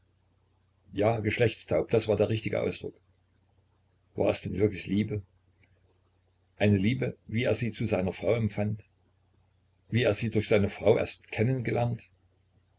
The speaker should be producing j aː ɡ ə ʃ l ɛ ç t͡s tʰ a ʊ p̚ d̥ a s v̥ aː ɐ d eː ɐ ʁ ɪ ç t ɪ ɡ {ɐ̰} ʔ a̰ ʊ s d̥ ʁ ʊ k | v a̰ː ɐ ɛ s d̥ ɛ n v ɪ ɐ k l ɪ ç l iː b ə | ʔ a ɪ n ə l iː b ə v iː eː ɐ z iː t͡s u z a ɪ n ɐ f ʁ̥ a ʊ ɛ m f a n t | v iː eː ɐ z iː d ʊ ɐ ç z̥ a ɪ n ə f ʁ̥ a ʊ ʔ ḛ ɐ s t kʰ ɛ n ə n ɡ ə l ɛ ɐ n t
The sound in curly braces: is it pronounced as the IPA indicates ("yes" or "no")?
no